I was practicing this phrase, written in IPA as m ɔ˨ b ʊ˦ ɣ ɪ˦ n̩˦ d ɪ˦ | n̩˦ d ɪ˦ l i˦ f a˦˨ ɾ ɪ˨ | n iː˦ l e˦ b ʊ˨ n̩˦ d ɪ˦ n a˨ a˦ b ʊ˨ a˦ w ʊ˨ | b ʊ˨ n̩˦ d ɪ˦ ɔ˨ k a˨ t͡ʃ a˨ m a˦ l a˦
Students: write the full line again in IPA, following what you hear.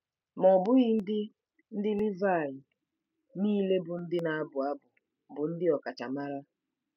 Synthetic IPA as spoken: m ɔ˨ b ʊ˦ ɣ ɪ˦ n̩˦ d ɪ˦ | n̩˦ d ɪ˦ l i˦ v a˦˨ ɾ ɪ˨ | n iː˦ l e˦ b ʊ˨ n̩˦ d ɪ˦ n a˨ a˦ b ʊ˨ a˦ b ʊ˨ | b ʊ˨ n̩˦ d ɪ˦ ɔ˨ k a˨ t͡ʃ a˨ m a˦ ɾ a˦